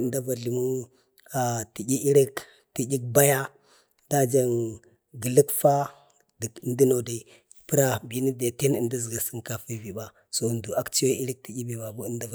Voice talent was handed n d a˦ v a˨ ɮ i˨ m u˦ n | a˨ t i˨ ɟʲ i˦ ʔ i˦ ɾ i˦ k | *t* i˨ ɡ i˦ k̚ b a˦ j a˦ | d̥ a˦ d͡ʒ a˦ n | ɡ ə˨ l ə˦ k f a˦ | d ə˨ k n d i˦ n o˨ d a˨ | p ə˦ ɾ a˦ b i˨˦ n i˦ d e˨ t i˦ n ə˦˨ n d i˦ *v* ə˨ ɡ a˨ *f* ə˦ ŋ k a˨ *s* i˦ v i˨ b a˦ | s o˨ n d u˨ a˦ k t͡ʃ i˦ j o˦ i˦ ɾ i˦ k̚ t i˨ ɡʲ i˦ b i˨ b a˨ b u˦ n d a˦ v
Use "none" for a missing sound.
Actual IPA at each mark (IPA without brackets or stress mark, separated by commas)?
t, z, s, f